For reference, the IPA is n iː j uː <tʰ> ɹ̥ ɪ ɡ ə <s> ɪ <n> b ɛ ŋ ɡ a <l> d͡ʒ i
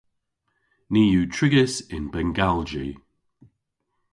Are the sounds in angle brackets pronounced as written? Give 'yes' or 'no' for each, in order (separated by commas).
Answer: yes, yes, yes, yes